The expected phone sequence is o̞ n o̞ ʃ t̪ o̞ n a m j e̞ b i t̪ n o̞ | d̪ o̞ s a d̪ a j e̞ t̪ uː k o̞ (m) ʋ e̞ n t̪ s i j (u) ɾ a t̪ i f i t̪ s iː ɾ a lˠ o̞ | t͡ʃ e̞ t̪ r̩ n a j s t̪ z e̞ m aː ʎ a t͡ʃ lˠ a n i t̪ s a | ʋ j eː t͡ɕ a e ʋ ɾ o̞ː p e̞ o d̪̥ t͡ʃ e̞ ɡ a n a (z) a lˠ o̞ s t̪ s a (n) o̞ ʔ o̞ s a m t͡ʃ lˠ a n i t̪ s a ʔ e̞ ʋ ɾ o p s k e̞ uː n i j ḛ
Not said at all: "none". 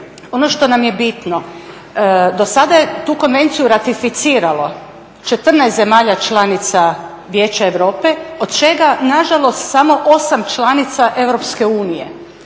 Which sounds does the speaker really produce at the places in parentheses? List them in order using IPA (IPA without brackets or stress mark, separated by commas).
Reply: n, u, ʒ, m